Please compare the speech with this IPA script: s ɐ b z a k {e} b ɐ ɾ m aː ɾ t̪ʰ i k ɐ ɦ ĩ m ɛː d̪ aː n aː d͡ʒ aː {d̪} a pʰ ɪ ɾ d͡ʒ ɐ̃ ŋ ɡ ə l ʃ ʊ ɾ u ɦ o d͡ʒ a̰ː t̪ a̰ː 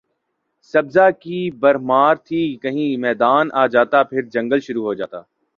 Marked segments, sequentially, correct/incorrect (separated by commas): incorrect, incorrect